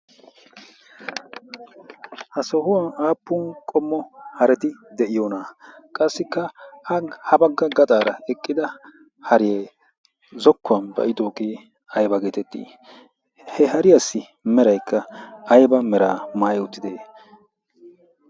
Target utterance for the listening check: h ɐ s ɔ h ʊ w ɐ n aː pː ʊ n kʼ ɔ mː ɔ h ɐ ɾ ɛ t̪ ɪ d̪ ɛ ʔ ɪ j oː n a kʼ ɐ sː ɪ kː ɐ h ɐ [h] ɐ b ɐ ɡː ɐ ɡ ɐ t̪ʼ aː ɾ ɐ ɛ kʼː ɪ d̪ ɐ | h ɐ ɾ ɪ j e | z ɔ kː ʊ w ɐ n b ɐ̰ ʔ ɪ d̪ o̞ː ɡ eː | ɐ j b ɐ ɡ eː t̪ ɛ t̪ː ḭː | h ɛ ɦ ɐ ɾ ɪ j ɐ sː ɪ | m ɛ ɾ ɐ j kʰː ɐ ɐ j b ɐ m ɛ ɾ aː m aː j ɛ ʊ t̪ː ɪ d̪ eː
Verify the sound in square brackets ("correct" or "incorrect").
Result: correct